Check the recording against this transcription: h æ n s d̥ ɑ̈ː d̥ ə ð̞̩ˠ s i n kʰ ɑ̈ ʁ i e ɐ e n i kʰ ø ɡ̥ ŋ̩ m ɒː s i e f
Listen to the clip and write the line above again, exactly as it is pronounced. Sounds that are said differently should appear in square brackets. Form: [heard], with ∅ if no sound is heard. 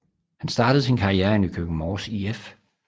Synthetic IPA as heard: h æ n s d̥ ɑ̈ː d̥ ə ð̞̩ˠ s i n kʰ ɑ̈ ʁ i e ɐ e n [y] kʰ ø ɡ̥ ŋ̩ m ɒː s i e f